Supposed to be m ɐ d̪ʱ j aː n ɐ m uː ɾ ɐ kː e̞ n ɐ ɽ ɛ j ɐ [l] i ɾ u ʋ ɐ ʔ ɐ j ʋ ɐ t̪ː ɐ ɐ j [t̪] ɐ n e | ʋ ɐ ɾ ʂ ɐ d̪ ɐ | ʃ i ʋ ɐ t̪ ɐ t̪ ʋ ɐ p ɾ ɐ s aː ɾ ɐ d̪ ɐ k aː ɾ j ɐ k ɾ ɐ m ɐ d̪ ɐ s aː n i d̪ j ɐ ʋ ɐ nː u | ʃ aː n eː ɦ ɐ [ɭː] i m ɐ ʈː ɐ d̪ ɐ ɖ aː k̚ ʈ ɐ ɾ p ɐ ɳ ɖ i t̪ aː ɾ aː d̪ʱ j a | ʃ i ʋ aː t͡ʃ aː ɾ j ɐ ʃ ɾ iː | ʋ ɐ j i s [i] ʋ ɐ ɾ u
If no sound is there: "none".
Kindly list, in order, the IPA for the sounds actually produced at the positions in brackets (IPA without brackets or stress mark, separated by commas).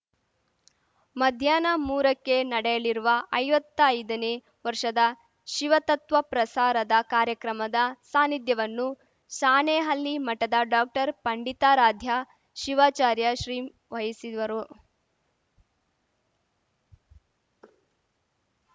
ɭ, d̪, lː, i